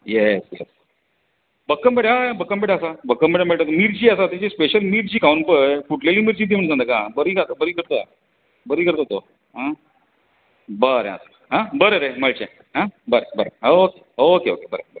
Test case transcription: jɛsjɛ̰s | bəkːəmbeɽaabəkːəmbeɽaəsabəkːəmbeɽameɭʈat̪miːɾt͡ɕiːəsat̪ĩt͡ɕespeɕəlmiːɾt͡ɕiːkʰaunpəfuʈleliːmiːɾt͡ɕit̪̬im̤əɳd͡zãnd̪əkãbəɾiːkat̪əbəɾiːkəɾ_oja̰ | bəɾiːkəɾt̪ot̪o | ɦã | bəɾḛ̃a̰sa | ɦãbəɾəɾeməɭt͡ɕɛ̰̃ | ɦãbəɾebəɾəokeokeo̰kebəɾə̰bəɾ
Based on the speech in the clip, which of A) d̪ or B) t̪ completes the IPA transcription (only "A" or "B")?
B